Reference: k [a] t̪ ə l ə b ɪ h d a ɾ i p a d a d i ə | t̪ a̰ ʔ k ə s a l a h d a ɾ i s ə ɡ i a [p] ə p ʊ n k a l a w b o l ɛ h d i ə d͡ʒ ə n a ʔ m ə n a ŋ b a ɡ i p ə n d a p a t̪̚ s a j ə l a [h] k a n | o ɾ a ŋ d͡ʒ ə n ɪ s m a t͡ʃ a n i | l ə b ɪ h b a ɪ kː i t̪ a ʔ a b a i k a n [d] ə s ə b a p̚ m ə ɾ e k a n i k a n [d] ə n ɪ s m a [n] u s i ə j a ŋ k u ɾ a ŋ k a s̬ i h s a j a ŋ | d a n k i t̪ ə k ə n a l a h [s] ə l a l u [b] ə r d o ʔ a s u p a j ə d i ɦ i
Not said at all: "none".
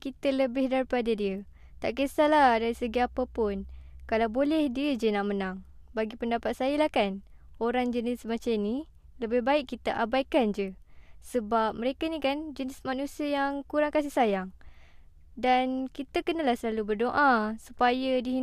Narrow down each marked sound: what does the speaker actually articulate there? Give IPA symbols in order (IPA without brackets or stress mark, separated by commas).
i, p, h, d͡ʒ, d͡ʒ, n, s, b